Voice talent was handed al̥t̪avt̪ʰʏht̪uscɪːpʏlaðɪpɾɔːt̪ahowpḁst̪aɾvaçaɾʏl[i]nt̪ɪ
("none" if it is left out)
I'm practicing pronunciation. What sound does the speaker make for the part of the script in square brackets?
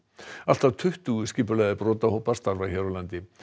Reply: a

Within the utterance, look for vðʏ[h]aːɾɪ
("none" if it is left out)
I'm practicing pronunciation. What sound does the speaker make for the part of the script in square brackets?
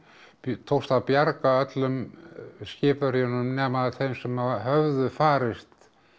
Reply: f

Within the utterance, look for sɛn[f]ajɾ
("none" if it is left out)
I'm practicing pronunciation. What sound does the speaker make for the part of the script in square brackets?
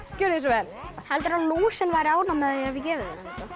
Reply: v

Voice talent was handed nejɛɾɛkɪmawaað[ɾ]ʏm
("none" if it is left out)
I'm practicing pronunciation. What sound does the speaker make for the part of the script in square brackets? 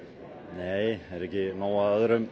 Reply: ɾ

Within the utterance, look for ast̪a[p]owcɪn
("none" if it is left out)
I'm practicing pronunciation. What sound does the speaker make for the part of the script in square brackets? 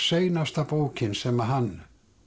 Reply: p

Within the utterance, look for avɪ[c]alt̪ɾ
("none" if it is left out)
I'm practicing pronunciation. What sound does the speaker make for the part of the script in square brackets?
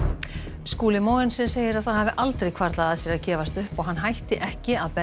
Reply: ʔ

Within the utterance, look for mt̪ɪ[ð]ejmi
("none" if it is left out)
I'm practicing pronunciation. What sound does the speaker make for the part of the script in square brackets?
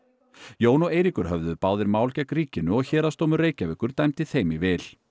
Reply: θ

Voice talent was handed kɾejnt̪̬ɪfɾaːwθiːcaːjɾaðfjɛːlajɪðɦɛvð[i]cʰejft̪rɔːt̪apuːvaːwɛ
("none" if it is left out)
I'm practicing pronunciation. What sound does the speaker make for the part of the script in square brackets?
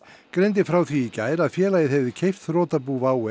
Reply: ɪ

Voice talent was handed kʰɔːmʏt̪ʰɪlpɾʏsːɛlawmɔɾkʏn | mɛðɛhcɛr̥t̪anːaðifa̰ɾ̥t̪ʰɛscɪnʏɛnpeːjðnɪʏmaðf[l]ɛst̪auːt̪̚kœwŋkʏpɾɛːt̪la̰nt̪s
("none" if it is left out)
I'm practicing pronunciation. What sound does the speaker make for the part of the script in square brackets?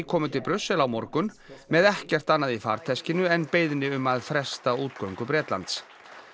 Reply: ɾ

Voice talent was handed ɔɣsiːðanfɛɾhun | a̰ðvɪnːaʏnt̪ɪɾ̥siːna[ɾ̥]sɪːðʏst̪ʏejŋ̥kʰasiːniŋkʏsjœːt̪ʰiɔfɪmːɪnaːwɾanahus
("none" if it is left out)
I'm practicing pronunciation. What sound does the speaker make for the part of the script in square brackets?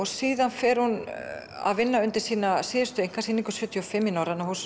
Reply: none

